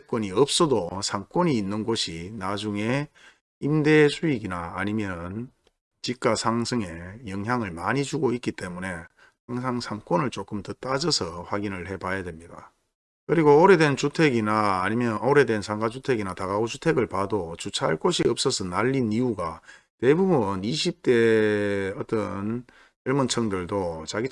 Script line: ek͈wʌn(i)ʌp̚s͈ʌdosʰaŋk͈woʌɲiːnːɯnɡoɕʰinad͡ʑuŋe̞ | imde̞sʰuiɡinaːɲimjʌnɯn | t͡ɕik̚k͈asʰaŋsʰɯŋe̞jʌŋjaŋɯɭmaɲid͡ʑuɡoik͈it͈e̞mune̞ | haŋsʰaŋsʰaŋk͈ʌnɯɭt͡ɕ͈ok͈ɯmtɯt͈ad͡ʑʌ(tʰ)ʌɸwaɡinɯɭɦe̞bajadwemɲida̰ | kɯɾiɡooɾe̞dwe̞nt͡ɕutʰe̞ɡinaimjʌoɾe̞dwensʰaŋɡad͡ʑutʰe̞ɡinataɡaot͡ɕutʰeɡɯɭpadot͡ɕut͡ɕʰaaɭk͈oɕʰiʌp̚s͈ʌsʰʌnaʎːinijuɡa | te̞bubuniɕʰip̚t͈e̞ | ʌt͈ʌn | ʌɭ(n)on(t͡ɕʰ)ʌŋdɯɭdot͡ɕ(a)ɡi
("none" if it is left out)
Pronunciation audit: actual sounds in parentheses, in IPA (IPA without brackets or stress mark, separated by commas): i, sʰ, m, t͡ɕʰ, a